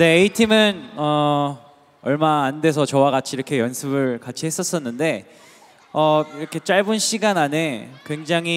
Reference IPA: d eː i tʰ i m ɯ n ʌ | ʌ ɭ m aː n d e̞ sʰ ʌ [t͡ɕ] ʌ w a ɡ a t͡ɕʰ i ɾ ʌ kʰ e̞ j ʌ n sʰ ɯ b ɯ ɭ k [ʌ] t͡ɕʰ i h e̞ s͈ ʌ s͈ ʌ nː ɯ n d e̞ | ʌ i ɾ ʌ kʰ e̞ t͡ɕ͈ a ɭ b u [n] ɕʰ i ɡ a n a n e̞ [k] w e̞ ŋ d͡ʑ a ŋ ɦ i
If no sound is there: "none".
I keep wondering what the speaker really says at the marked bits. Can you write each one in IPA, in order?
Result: t͡ɕ, a, n, k

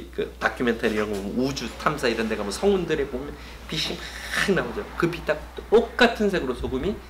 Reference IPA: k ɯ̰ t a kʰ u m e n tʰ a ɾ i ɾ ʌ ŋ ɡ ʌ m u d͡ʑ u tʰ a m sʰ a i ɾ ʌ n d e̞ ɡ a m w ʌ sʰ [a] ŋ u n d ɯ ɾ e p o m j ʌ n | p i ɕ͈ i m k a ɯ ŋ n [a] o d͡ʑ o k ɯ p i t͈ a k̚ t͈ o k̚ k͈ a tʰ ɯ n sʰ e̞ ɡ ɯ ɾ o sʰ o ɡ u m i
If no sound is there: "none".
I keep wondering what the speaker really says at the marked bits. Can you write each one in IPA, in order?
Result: ʌ, a

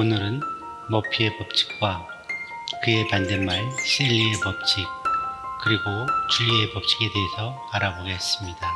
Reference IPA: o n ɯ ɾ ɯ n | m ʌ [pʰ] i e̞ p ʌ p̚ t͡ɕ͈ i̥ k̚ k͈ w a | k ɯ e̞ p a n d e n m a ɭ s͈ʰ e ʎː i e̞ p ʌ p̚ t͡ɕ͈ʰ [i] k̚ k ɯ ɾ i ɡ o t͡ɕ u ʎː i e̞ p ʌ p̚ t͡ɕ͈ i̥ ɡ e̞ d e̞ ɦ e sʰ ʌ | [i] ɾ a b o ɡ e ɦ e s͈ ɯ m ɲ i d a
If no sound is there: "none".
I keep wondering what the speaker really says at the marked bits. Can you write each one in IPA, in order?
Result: pʰ, i, a

